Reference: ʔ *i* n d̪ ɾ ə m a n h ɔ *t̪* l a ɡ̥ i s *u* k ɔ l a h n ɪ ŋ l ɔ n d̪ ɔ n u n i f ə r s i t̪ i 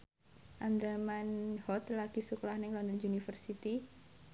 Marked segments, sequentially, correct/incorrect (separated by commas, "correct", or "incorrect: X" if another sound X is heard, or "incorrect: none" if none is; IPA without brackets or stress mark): incorrect: a, correct, correct